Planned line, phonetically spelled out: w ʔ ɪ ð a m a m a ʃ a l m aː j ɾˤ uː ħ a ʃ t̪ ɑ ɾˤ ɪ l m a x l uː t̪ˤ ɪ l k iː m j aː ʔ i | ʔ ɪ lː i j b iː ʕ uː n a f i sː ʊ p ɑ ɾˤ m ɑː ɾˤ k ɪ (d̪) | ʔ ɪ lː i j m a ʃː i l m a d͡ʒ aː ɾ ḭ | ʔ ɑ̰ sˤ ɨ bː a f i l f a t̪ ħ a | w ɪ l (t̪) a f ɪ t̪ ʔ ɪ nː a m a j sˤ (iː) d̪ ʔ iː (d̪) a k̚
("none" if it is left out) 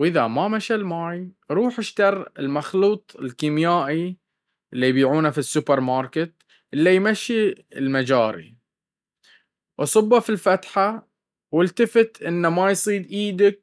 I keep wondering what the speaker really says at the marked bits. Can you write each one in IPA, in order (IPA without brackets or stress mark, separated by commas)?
t̪, t̪, iː, d̪